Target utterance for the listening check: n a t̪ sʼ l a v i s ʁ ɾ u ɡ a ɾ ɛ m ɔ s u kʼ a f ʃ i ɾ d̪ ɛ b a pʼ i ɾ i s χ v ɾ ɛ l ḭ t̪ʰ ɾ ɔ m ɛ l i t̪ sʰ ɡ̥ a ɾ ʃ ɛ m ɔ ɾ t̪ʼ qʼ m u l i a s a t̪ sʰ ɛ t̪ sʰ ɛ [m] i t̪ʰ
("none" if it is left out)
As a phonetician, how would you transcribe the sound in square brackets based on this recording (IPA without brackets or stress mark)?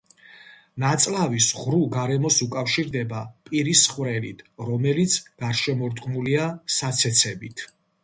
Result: b